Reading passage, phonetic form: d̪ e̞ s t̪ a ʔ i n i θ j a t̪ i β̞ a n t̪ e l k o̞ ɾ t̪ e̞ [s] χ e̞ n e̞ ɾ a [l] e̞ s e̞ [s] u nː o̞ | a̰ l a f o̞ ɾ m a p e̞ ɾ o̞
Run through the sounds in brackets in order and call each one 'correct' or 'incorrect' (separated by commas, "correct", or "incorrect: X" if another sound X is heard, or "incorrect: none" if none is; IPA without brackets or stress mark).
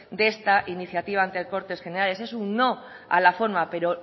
correct, correct, correct